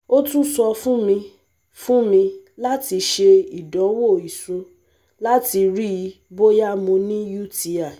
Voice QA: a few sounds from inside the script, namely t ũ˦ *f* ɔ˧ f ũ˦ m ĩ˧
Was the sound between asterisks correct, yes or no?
no